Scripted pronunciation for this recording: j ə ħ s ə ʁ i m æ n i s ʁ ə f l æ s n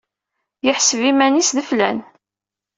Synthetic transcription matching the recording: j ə ħ s ə v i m æ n i s ð ə f l æ n

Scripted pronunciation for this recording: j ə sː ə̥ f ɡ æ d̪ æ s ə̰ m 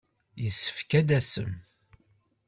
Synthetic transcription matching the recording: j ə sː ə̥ f k æ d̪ æ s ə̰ m

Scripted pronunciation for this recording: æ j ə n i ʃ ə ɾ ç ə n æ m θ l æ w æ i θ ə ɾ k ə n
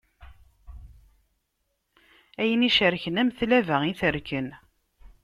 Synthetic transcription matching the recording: æ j ə n i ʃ ə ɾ ç ə n æ m θ l æ v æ i θ ə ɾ k ə n

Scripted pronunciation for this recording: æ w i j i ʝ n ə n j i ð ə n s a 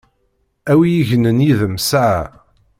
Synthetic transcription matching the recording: æ w i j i ʝ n ə n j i ð ə m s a

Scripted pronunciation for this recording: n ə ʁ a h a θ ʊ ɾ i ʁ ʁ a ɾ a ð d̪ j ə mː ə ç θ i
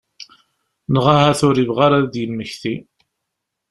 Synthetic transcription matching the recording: n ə ʁ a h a θ ʊ ɾ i v ʁ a ɾ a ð d̪ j ə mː ə ç θ i

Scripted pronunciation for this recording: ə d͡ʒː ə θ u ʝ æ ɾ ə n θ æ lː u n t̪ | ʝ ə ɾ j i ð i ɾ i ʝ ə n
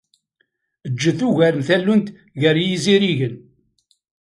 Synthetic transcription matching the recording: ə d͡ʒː ə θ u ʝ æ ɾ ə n θ æ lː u n t̪ | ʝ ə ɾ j i z i ɾ i ʝ ə n

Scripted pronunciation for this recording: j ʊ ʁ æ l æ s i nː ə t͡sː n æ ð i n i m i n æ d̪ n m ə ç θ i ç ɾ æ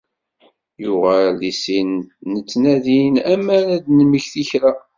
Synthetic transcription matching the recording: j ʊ ʁ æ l i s i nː ə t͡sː n æ ð i n æ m æ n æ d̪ n m ə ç θ i ç ɾ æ

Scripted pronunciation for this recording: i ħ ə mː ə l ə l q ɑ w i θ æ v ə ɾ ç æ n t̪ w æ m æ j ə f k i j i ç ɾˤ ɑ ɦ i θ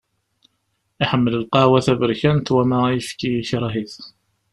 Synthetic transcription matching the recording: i ħ ə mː ə l ə l q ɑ w æ θ æ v ə ɾ ç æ n t̪ w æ m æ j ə f k i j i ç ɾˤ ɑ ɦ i θ

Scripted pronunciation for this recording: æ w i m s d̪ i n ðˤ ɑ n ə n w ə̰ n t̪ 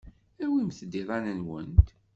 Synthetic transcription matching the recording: æ w i m θ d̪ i ðˤ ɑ n ə n w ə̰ n t̪

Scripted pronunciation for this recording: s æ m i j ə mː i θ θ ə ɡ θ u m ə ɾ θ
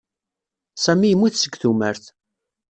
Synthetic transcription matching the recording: s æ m i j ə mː i θ s ə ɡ θ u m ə ɾ θ

